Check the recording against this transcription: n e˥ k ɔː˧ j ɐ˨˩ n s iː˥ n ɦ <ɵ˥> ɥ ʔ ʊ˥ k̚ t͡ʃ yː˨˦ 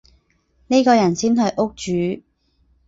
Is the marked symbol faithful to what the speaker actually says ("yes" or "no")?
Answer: no